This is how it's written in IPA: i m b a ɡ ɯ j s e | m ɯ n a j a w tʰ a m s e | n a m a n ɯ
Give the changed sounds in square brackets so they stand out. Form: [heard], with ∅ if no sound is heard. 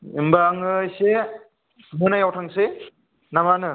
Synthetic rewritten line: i m b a [ŋ] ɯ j s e | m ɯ n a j a w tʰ a [ŋ] s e | n a m a n ɯ

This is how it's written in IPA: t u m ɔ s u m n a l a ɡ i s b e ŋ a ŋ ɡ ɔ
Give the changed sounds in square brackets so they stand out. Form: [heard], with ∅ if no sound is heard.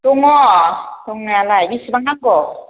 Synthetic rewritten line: t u [ŋ] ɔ [t] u [ŋ] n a l a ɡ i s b [a] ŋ a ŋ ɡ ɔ

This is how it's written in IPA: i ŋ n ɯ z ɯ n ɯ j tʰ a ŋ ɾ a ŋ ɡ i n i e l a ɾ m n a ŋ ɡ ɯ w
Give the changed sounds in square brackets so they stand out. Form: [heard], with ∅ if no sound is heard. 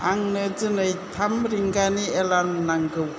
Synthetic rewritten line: [a] ŋ n ɯ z ɯ n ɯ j tʰ a [m] ɾ [i] ŋ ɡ [a] n i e l a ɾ m n a ŋ ɡ ɯ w

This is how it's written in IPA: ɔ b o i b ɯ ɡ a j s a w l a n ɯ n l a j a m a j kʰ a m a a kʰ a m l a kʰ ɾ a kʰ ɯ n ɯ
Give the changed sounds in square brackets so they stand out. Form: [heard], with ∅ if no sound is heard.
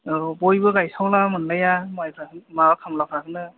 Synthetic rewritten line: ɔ b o [j] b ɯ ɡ a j s a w l a [m] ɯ n l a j a m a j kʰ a m a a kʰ a m l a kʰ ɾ a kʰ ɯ n ɯ

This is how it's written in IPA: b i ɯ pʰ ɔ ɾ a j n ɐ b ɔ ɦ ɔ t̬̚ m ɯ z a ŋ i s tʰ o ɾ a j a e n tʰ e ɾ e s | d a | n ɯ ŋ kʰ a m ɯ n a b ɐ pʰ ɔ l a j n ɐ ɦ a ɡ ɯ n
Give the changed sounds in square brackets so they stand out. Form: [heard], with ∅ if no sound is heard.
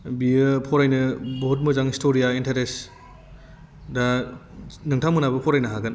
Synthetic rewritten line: b i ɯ pʰ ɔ ɾ a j n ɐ b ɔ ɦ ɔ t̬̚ m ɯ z a ŋ i s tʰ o ɾ [i] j a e n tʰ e ɾ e s | d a | n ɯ ŋ [tʰ] a m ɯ n a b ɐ pʰ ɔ [ɾ] a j n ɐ ɦ a ɡ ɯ n

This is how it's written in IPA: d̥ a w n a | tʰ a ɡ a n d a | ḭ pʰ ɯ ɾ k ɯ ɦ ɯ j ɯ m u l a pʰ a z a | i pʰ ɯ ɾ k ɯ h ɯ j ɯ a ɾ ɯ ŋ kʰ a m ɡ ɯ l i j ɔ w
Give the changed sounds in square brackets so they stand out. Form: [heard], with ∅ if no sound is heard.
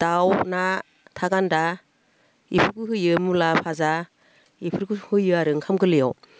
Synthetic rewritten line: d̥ a w n a | tʰ a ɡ a n d a | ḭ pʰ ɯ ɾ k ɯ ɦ ɯ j ɯ m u l a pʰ a z a | i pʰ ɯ ɾ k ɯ h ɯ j ɯ a ɾ ɯ ŋ kʰ a m ɡ ɯ l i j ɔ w

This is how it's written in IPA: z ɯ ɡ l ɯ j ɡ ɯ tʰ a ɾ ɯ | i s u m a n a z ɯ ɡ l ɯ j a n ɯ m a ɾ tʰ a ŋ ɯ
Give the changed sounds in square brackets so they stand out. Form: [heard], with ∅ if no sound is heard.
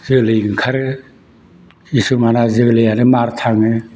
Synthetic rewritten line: z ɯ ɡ l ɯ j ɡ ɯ [kʰ] a ɾ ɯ | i s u m a n a z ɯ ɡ l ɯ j a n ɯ m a ɾ tʰ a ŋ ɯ

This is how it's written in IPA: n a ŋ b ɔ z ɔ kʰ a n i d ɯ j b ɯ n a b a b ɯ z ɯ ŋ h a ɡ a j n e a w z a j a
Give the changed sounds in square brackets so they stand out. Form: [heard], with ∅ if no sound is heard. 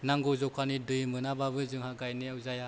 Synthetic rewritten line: n a ŋ [ɡ] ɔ z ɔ kʰ a n i d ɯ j [m] ɯ n a b a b ɯ z ɯ ŋ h a ɡ a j n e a w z a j a

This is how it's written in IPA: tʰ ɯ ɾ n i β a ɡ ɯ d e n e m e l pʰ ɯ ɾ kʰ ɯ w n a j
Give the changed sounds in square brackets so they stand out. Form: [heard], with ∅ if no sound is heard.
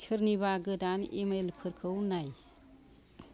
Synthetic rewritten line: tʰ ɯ ɾ n i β a ɡ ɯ d [a] n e m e l pʰ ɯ ɾ kʰ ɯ w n a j

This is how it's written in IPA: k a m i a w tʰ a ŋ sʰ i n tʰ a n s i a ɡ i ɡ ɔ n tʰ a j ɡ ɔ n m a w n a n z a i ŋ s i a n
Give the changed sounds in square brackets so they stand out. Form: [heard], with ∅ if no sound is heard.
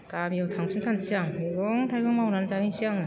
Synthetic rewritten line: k a m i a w tʰ a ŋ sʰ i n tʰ a n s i a [ŋ] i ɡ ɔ [ŋ] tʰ a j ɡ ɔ [ŋ] m a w n a n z a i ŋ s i a [ŋ]

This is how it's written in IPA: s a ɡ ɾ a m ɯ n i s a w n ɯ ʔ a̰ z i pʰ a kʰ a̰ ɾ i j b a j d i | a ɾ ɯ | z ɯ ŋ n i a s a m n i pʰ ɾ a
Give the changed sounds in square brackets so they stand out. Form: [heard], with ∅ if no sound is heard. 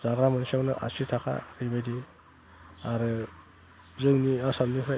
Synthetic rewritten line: [z] a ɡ ɾ a m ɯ n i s a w n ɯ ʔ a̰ [s] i [tʰ] a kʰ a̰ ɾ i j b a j d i | a ɾ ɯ | z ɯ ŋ n i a s a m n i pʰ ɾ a

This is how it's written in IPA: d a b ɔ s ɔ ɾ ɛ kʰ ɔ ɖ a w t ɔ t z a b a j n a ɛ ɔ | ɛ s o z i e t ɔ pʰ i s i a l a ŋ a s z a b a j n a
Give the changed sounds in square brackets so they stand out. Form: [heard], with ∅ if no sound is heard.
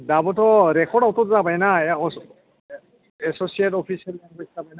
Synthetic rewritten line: d a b ɔ [t] ɔ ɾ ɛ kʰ ɔ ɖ a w t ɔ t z a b a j n a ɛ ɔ | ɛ s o [s] i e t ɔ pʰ i s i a l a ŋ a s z a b a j n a

